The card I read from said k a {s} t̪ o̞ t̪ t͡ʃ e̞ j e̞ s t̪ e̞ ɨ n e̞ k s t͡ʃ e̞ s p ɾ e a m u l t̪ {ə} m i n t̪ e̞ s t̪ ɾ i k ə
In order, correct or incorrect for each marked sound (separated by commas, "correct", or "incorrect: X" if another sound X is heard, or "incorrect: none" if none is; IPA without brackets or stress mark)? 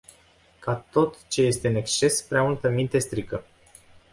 incorrect: none, correct